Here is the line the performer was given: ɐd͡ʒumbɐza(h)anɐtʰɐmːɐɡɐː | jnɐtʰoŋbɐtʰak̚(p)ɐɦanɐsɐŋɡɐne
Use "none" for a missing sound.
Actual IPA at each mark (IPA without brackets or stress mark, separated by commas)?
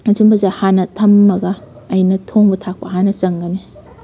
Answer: h, p